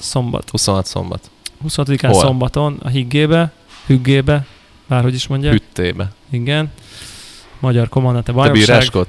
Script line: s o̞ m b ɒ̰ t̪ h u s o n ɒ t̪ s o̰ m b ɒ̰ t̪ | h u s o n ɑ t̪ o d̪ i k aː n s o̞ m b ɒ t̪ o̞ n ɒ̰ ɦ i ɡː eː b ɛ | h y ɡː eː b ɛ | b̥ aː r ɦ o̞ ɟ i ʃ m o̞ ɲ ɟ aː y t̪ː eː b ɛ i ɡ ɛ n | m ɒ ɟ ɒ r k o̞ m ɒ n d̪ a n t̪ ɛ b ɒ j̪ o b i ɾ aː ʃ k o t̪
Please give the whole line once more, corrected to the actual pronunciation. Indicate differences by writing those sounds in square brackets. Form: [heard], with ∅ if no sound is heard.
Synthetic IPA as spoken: s o̞ m b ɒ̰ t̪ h u s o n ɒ t̪ s o̰ m b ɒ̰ t̪ | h u s o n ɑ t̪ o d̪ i k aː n s o̞ m b ɒ t̪ o̞ n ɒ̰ ɦ i ɡː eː b ɛ | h y ɡː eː b ɛ | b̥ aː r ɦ o̞ ɟ i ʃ m o̞ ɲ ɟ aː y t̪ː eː b ɛ i ɡ ɛ n | m ɒ ɟ ɒ r k o̞ m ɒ n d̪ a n t̪ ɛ b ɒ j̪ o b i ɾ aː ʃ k o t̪